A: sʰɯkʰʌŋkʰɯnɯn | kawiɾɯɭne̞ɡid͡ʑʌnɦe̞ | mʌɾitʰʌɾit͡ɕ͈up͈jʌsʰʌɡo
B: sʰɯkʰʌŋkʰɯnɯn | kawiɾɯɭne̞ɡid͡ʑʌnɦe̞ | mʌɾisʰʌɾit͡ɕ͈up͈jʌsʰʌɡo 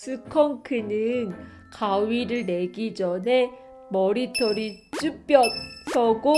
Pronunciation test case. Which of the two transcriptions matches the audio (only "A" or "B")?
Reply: A